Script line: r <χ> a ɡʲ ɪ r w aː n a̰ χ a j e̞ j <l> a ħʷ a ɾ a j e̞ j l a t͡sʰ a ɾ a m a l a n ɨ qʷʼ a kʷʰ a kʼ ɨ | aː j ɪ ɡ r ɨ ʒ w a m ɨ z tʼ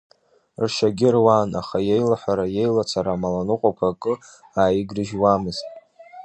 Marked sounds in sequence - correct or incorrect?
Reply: incorrect: ʃ, correct

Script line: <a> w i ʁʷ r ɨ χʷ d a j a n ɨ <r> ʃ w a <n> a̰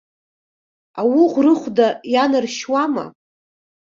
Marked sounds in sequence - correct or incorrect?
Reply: correct, correct, incorrect: m

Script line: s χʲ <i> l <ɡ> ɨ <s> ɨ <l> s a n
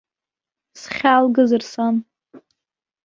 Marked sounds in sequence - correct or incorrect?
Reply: incorrect: a, correct, incorrect: z, incorrect: r

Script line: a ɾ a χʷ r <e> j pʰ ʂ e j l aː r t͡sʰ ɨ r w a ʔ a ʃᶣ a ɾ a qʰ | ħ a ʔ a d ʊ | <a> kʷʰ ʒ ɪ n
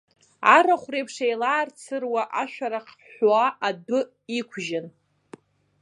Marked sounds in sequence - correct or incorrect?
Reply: correct, incorrect: i

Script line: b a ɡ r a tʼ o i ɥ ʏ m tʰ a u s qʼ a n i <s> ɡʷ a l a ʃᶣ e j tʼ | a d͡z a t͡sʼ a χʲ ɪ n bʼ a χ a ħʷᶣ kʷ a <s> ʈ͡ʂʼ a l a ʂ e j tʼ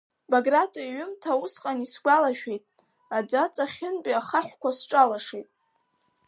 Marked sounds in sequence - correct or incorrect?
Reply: correct, correct

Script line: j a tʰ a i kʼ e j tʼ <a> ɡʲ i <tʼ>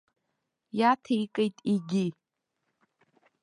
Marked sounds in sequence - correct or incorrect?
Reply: incorrect: i, incorrect: none

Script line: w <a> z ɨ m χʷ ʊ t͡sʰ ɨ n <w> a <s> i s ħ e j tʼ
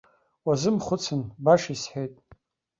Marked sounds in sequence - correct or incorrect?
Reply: correct, incorrect: b, incorrect: ʂ

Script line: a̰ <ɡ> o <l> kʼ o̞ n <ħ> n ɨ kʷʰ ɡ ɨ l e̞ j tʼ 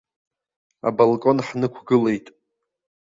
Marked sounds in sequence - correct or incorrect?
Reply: incorrect: b, correct, correct

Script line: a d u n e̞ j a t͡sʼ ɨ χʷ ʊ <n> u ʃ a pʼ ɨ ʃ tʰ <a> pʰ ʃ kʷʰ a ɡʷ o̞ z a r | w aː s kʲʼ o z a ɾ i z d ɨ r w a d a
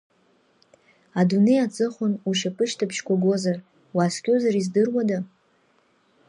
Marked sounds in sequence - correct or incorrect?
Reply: correct, correct

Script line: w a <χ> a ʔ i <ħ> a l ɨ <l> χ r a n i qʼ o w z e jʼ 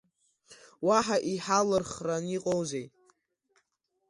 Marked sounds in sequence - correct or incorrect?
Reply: incorrect: ħ, correct, incorrect: r

